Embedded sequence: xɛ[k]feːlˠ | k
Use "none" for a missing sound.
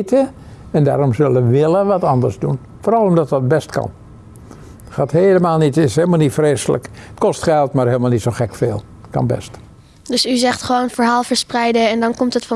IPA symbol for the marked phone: k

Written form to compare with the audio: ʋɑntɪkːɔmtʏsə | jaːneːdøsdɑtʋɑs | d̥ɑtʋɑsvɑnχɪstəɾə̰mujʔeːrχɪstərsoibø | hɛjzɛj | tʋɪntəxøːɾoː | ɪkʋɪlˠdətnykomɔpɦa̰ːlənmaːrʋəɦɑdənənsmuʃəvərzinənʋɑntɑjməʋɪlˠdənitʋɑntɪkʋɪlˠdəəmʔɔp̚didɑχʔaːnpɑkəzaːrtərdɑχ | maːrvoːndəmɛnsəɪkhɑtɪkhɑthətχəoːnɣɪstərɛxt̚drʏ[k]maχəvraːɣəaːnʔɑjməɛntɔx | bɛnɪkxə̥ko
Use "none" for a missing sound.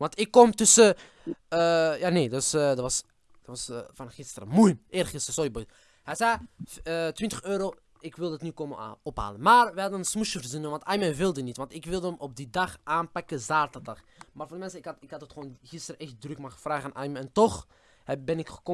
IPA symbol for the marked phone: k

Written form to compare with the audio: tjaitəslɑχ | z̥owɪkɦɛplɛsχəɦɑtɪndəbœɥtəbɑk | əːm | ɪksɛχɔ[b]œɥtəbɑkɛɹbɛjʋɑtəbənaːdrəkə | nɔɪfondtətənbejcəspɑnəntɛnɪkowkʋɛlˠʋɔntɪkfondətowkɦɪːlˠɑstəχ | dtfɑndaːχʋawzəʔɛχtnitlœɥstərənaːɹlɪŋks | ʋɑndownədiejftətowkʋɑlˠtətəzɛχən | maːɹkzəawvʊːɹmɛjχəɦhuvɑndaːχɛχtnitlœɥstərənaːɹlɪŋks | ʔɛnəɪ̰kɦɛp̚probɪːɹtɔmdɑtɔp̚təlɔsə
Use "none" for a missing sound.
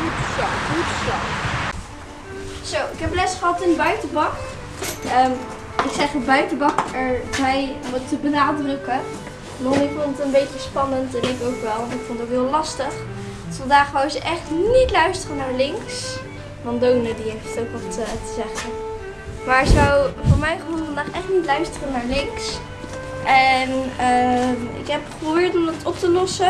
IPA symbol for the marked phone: b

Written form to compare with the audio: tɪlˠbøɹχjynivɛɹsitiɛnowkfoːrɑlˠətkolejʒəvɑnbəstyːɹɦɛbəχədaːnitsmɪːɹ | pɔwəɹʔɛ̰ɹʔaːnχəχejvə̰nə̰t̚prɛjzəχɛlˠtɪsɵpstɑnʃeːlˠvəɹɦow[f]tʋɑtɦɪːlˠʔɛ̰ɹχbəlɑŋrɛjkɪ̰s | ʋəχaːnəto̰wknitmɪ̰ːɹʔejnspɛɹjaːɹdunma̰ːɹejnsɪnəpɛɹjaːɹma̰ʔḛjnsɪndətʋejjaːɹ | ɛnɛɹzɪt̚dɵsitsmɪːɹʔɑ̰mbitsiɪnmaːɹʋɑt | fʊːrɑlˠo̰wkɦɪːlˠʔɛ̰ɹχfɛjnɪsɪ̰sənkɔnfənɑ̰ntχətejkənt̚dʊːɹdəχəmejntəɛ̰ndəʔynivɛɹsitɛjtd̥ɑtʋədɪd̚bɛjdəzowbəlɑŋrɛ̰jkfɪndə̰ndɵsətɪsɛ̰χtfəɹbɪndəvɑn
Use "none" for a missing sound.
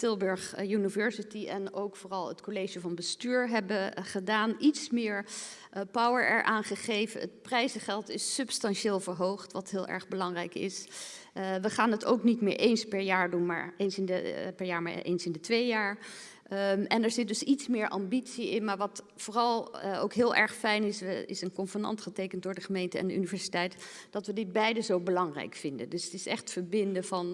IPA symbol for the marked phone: χ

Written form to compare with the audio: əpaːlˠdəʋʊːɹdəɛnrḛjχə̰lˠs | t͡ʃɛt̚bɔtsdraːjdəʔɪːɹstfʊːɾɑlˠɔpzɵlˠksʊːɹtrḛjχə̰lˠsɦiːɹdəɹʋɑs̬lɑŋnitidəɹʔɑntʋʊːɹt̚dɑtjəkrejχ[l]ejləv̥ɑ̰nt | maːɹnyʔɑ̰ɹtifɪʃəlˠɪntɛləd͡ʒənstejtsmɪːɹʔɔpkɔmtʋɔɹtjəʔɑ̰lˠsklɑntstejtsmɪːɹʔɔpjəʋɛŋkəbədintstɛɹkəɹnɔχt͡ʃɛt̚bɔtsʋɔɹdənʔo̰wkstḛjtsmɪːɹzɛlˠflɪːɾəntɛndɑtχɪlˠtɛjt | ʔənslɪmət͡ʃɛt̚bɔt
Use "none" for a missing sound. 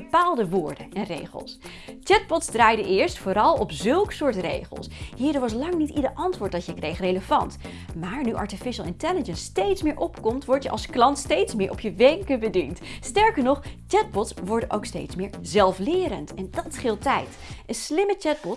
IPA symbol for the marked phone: r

